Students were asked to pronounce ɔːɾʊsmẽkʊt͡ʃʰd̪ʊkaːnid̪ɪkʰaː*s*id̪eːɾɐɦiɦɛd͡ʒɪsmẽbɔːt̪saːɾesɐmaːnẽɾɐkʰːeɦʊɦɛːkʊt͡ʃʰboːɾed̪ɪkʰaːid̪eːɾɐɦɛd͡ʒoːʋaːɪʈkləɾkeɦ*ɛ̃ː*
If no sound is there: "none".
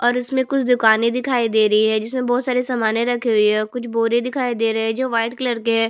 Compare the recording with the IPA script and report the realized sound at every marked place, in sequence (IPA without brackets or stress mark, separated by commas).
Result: none, ɛː